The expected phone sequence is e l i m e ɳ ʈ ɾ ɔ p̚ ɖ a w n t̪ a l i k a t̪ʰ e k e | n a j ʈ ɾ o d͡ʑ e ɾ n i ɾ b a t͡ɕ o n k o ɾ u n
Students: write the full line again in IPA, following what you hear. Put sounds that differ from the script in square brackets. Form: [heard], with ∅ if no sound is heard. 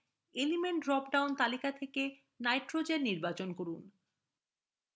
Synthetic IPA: e l i m e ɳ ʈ ɾ ɔ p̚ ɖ a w n t̪ a l i k a t̪ʰ e k e | n a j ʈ ɾ o d͡ʑ e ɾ n i ɾ b a t͡ɕ o n k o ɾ u n